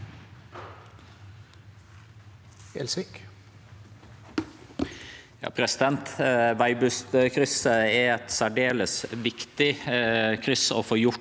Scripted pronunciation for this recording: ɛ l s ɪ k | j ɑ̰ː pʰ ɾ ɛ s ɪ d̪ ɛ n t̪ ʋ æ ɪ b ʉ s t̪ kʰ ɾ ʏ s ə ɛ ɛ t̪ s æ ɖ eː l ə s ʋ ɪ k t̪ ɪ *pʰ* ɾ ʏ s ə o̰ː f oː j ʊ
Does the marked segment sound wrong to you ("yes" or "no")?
yes